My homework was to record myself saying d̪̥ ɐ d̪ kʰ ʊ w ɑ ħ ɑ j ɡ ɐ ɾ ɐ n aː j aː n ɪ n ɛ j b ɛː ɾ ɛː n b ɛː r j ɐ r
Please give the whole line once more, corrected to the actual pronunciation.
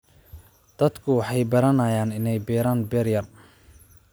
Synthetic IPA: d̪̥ ɐ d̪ kʰ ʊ w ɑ ħ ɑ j b ɐ ɾ ɐ n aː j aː n ɪ n ɛ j b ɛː ɾ aː n b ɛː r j ɐ r